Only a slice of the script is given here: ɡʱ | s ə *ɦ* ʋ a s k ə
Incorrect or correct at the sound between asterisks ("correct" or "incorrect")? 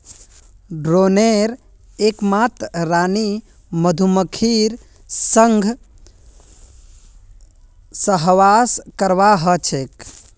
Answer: correct